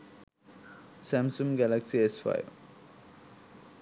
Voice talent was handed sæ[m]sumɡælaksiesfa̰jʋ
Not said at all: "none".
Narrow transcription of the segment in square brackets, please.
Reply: m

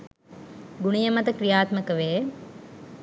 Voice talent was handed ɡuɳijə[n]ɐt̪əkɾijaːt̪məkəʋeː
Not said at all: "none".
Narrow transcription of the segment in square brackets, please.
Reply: m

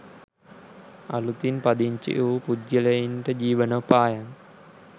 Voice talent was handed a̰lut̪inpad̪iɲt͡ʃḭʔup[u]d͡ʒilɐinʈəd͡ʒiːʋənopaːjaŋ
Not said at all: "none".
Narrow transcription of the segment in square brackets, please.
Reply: u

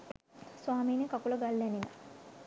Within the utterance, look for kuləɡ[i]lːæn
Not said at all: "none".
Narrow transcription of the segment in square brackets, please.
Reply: a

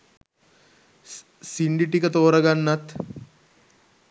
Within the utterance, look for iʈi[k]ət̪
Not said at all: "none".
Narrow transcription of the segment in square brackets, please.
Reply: k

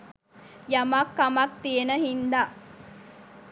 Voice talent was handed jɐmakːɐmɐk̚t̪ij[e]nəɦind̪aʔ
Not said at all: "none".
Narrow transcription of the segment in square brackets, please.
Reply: e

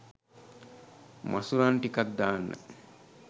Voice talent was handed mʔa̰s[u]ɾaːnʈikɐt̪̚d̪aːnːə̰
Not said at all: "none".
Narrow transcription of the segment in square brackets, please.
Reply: u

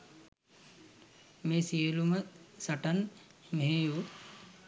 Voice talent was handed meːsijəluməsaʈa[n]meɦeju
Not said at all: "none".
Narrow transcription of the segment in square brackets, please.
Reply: n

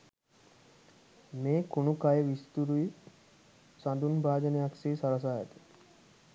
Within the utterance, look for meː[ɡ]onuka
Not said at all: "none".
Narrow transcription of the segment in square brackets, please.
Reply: k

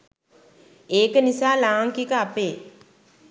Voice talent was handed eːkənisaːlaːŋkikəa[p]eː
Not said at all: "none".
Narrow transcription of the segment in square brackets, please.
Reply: p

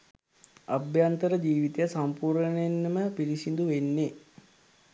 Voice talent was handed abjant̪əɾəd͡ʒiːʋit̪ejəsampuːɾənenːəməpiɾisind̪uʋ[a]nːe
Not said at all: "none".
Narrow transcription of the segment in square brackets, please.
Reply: e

